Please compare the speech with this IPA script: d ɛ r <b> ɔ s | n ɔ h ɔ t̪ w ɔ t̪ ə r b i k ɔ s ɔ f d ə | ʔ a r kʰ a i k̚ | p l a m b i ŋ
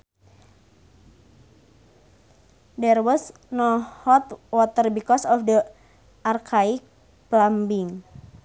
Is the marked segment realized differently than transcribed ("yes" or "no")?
yes